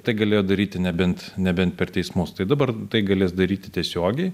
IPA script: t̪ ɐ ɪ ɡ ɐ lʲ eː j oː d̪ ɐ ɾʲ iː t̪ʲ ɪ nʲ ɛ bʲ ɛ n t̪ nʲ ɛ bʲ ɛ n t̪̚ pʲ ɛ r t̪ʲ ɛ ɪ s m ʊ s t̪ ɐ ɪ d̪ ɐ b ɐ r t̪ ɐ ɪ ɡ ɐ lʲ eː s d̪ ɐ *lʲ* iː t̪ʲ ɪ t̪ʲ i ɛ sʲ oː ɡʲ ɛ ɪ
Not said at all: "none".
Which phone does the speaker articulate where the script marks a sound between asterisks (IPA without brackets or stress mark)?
ɾʲ